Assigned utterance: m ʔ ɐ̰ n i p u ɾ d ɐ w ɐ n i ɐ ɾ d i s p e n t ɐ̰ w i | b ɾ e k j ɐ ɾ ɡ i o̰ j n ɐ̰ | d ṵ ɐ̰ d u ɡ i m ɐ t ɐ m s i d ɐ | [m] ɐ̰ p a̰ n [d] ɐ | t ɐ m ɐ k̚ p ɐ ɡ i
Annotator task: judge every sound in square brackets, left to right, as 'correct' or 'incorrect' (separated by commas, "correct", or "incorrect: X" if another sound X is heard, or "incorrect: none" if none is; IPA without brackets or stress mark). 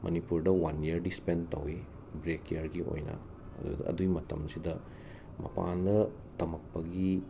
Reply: correct, correct